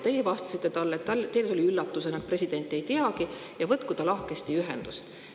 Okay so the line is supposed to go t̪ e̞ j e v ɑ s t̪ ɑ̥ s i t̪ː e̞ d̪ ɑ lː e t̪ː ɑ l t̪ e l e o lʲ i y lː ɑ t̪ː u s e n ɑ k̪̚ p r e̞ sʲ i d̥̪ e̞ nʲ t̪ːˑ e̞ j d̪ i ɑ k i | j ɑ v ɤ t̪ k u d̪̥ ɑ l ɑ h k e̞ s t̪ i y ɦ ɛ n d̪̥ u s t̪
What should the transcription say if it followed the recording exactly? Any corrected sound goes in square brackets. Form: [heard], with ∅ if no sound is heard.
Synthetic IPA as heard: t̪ e̞ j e v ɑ s t̪ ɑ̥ s i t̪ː e̞ [t̪] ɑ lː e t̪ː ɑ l t̪ e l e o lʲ i y lː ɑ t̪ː u s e n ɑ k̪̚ p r e̞ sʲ i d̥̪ e̞ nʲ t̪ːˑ e̞ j [t̪] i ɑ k i | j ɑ v ɤ t̪ k u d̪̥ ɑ l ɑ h k e̞ s t̪ i y ɦ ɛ n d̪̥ u s t̪